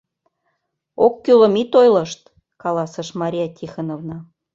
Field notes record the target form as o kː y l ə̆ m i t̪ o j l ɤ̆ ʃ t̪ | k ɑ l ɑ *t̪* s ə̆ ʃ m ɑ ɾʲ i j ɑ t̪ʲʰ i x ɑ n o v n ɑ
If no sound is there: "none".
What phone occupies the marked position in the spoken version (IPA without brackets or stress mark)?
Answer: none